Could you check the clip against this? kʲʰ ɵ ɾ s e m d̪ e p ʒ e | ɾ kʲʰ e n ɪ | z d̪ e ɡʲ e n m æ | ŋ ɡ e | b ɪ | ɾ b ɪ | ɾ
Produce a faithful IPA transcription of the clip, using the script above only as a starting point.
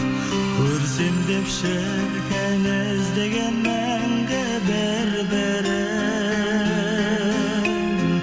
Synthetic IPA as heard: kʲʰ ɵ ɾ s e m d̪ e p ʃ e | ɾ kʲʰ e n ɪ | z d̪ e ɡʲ e n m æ | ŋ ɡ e | b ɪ | ɾ b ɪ | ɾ